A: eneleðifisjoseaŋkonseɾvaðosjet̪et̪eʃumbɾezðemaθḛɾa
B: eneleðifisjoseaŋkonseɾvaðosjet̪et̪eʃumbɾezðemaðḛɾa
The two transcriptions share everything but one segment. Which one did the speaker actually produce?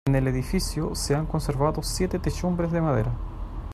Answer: B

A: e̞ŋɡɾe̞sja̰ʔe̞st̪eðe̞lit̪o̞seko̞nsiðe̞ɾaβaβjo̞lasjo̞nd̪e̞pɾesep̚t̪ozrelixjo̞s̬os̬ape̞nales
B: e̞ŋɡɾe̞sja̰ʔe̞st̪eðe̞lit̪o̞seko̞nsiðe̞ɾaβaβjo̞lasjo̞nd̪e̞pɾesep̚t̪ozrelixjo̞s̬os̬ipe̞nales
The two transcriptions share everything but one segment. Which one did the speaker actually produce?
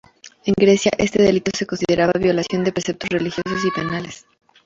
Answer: B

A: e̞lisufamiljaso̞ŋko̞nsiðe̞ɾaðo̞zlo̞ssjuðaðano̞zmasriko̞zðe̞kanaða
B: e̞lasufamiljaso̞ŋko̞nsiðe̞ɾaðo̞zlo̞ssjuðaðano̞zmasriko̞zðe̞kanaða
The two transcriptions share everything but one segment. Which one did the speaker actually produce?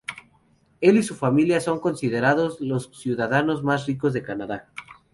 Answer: A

